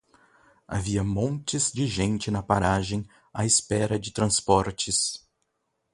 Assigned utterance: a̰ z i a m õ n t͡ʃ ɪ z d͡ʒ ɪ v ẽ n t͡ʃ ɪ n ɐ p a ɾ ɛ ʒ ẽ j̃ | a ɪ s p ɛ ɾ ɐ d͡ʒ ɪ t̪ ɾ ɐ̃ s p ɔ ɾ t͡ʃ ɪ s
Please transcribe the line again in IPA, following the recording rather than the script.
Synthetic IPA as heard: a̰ v i ɐ m õ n t͡ʃ ɪ z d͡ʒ ɪ ʒ ẽ n t͡ʃ ɪ n ɐ p a ɾ a ʒ ẽ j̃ | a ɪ s p ɛ ɾ ɐ d͡ʒ ɪ t̪ ɾ ɐ̃ s p ɔ ɾ t͡ʃ ɪ s